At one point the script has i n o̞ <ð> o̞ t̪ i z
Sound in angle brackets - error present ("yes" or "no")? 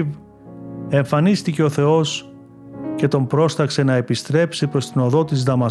no